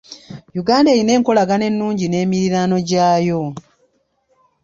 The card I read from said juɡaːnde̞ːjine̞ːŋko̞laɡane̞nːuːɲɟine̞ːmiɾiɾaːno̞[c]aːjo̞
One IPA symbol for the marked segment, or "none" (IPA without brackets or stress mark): ɟ